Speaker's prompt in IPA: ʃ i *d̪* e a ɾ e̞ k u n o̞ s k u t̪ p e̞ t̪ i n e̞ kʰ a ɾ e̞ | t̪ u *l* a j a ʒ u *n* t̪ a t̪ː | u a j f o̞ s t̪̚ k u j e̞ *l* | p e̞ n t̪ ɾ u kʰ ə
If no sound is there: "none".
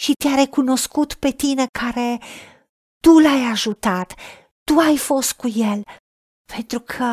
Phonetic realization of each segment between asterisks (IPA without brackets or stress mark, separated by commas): t̪, l, none, l